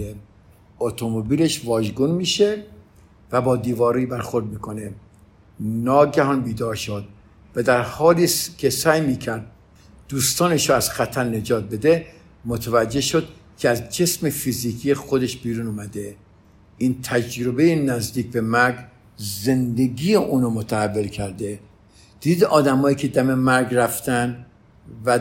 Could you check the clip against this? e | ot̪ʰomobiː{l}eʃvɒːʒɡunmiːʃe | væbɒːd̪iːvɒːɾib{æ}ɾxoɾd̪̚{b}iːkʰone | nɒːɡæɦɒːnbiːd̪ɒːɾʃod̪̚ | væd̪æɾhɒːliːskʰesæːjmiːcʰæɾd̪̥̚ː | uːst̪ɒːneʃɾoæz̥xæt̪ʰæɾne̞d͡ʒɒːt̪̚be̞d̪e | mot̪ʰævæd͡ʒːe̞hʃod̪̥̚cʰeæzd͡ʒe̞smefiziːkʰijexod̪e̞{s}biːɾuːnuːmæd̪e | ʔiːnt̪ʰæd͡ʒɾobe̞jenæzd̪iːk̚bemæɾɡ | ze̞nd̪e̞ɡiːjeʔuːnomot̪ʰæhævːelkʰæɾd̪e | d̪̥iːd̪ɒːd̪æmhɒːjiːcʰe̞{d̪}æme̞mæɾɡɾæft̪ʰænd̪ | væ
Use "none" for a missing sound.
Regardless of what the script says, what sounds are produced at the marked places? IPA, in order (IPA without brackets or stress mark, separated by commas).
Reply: l, æ, m, ʃ, d̪